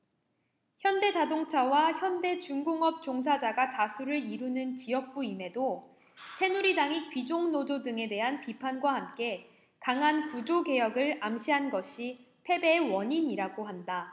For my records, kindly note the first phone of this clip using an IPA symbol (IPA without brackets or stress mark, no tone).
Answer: ç